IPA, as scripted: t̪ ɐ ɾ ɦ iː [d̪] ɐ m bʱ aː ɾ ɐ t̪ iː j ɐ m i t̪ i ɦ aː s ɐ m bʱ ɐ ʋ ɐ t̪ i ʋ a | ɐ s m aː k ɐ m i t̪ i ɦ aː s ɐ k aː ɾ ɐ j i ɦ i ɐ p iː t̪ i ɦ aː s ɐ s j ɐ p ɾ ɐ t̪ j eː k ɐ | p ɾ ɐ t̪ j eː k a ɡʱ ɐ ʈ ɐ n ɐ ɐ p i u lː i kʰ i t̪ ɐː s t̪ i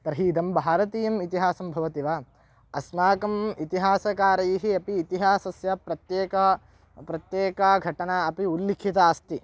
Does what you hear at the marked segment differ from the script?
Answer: no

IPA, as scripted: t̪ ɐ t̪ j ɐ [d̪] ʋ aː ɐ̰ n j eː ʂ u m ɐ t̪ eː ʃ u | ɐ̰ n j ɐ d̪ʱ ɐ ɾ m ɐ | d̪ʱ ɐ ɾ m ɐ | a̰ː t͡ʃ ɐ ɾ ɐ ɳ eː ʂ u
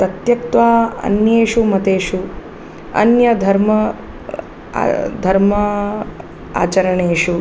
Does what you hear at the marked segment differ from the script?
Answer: yes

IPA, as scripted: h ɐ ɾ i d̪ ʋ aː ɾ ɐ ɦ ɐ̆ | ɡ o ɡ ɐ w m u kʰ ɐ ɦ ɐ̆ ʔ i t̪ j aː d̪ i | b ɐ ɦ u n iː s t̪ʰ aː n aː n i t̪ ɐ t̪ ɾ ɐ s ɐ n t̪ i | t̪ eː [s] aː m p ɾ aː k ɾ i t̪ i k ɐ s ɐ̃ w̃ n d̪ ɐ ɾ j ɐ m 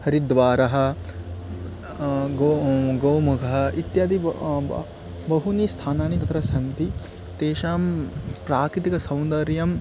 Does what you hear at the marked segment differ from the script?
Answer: yes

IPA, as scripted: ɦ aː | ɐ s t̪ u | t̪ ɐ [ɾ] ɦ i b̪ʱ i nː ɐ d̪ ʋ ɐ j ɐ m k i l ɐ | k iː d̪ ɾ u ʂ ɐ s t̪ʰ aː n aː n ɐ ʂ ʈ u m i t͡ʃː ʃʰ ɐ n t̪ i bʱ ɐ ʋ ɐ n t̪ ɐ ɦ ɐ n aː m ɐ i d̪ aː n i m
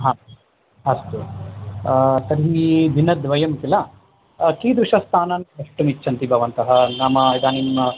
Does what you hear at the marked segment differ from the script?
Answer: no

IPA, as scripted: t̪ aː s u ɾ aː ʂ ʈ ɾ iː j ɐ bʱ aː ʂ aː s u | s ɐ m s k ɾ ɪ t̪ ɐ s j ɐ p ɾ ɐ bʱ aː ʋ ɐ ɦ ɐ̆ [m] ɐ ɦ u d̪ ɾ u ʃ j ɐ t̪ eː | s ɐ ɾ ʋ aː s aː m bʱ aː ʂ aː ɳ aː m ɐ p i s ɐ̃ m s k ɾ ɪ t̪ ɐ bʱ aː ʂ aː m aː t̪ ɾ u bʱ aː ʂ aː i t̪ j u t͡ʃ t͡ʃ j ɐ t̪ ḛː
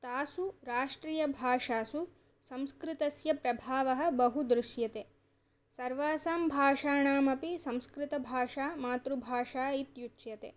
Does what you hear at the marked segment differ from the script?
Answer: yes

